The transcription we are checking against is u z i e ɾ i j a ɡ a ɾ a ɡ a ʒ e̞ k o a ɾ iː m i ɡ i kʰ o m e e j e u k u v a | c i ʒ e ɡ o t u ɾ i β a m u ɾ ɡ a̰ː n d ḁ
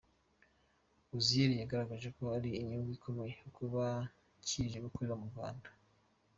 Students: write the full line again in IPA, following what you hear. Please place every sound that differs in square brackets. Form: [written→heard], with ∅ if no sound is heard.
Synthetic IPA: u z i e ɾ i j a ɡ a ɾ a ɡ a ʒ e̞ k o a ɾ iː [m→ɲ] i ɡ i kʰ o m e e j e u k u [v→β] a | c i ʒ e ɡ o [t→k] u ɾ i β a m u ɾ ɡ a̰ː n d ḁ